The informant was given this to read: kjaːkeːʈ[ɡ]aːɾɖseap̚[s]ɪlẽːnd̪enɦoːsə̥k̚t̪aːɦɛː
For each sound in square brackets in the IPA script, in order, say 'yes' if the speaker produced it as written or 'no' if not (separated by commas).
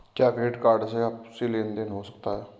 no, yes